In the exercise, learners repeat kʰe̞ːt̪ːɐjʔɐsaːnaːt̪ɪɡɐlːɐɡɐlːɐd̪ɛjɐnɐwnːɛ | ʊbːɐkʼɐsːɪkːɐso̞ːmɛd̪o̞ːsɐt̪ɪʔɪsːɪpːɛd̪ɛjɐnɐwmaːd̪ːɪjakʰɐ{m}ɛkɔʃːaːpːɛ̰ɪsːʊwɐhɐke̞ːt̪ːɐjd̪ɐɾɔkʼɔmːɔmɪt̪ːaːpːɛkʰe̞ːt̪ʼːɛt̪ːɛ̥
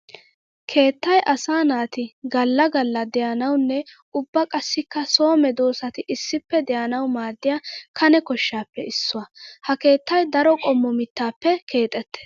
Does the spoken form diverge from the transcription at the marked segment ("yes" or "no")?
yes